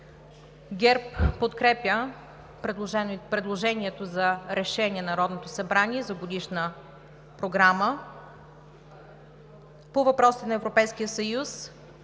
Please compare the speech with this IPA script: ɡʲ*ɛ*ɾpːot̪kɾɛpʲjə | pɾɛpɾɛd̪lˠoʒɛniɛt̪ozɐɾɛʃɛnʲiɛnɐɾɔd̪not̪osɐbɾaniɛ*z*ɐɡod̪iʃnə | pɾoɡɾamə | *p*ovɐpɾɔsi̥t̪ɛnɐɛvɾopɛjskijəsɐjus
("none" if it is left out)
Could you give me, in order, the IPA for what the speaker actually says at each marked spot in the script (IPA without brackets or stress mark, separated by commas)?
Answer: ɛ, z, p